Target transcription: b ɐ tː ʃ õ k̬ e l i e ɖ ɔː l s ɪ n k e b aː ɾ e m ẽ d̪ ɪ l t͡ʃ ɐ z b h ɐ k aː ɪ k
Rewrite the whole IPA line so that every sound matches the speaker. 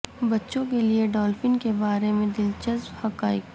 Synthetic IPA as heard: b ɐ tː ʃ õ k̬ e l i e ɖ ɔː l f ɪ n k e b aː ɾ e m ẽ d̪ ɪ l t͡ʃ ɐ z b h ɐ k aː ɪ k